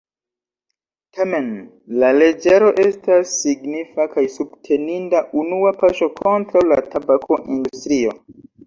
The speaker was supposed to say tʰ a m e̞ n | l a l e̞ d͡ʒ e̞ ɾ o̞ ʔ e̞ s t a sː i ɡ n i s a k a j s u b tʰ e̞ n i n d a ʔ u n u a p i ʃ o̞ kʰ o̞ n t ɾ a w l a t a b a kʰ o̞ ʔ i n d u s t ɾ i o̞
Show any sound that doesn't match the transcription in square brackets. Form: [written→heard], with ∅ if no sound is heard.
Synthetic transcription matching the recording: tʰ a m e̞ n | l a l e̞ d͡ʒ e̞ ɾ o̞ ʔ e̞ s t a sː i ɡ n i [s→f] a k a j s u b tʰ e̞ n i n d a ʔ u n u a p [i→a] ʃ o̞ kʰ o̞ n t ɾ a w l a t a b a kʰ o̞ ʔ i n d u s t ɾ i o̞